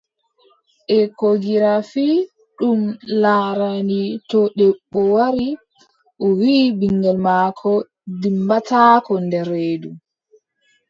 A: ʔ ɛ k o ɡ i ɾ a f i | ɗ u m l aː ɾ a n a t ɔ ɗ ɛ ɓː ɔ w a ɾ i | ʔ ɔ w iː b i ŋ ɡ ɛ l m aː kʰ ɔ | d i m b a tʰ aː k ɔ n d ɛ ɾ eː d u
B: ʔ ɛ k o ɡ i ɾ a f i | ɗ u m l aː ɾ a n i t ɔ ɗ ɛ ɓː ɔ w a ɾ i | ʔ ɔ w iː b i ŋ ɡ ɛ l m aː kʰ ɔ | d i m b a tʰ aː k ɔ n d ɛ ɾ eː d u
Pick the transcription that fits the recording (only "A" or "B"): B